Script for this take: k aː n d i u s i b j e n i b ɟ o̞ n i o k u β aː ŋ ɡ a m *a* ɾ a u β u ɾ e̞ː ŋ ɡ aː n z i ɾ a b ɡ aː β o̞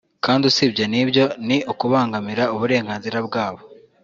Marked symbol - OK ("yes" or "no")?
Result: no